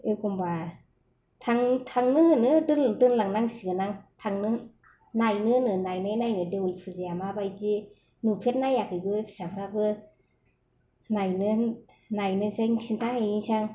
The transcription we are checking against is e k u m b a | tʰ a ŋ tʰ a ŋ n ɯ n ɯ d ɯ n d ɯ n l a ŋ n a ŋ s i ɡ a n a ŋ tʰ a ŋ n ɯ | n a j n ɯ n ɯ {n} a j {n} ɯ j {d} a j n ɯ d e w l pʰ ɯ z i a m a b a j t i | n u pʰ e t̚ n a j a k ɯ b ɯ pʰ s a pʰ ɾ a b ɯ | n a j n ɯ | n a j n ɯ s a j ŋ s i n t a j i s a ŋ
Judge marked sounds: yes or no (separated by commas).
yes, yes, no